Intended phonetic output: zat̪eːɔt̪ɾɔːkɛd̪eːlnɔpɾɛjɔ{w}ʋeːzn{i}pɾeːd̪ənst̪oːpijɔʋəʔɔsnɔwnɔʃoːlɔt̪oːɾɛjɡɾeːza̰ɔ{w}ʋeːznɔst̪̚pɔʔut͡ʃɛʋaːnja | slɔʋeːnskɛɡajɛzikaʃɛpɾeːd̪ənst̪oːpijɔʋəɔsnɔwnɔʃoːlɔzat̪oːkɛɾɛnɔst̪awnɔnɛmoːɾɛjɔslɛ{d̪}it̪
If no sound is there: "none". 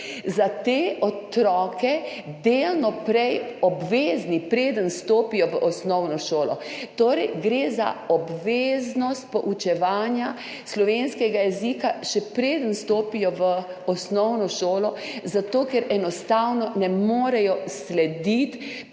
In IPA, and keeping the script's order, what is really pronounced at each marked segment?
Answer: b, i, b, d̪

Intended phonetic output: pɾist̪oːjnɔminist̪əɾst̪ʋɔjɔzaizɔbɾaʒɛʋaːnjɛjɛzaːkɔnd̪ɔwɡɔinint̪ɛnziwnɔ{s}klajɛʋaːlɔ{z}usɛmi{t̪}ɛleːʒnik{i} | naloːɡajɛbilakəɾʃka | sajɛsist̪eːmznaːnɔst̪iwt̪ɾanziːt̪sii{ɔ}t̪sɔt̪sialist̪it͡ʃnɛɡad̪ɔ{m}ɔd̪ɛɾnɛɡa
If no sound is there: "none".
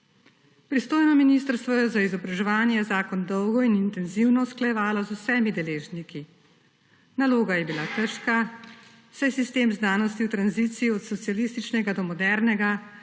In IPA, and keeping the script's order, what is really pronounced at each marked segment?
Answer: s, z, d̪, i, ɔ, m

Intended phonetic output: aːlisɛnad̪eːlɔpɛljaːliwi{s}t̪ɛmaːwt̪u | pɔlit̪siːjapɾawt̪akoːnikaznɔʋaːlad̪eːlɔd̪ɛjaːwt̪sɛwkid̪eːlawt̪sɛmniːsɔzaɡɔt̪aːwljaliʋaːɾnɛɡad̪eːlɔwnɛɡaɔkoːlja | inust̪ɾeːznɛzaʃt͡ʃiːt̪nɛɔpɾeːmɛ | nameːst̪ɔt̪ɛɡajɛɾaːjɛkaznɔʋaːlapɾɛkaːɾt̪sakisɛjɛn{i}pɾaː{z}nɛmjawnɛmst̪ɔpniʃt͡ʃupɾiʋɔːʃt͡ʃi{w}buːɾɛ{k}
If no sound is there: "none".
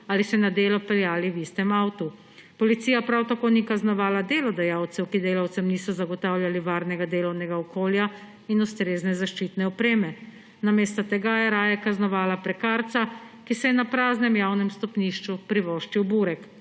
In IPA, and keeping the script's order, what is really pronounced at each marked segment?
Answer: s, a, z, w, k

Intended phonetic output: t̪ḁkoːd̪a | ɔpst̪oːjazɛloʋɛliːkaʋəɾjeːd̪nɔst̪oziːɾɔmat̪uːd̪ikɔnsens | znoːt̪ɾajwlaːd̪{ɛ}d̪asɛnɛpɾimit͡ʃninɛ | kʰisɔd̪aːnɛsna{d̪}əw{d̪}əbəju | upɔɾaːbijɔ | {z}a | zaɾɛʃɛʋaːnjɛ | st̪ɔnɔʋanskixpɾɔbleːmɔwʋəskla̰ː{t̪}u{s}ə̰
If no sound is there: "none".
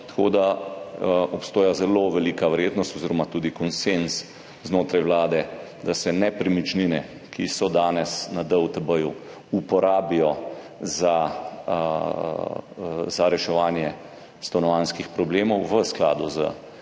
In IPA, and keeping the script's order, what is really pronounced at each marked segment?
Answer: ɛ, d̪, t̪, z, d̪, z

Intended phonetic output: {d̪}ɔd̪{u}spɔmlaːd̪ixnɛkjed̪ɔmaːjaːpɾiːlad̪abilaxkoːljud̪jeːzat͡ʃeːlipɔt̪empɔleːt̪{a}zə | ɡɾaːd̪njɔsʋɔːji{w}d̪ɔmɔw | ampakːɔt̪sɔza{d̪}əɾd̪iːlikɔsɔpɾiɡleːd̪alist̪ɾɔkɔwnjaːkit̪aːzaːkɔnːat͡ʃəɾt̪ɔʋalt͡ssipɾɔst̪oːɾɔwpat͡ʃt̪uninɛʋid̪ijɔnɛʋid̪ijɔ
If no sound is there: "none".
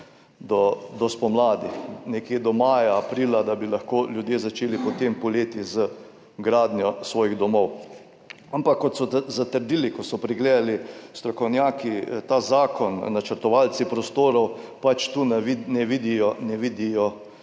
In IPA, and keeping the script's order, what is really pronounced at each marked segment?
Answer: d̪, ɔ, i, ɣ, t̪

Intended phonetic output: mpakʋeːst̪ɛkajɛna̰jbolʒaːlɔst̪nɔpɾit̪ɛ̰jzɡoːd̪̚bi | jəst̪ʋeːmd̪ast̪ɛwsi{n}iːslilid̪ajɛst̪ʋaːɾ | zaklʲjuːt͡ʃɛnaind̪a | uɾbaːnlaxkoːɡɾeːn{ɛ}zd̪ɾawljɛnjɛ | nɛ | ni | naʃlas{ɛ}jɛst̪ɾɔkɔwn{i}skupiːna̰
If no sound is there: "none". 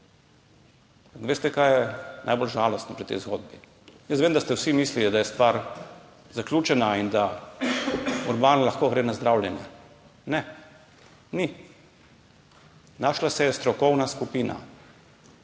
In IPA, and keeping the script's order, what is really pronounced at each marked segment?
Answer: m, a, ɛ, a

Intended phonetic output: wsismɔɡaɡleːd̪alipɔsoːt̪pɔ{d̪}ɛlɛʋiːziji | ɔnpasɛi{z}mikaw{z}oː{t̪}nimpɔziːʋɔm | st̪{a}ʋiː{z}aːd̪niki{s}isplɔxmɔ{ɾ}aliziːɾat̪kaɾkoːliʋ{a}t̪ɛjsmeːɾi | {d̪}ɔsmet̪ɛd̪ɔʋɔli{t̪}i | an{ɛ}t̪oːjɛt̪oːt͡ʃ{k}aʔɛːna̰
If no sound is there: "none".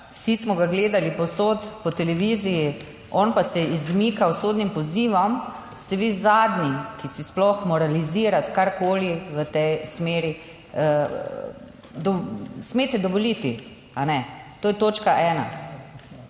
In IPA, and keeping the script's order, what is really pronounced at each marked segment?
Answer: t̪, z, s, d̪, ɛ, z, s, ɾ, ə, d̪, t̪, ɛ, k

